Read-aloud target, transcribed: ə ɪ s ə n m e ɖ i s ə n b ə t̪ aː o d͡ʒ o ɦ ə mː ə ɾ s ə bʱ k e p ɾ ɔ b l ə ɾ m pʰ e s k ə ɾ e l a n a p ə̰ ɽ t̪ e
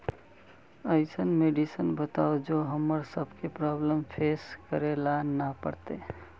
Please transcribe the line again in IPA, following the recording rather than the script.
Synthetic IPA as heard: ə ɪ s ə n m e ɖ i s ə n b ə t̪ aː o d͡ʒ o ɦ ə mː ə ɾ s ə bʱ k e p ɾ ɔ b l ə m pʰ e s k ə ɾ e l a n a p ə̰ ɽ t̪ e